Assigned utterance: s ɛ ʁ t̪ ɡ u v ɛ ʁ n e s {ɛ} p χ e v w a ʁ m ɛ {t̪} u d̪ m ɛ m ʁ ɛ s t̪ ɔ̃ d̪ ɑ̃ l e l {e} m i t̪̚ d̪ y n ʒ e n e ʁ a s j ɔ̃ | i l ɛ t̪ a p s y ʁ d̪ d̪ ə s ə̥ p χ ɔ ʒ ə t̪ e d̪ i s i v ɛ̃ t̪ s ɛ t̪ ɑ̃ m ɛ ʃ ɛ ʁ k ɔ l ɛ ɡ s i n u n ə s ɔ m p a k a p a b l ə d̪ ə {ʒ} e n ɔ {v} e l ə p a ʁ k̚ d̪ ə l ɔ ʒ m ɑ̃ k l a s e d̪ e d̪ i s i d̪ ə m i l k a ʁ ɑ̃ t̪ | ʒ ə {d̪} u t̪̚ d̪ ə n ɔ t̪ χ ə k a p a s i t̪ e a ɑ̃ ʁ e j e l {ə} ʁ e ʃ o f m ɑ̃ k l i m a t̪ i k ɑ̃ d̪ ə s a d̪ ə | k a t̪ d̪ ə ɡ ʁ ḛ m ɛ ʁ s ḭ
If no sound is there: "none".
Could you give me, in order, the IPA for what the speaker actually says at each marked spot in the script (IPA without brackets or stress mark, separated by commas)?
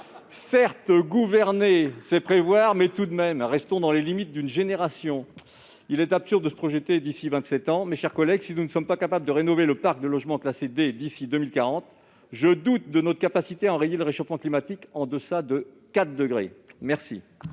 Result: ɛ, t̪, i, ʁ, v, d̪, ə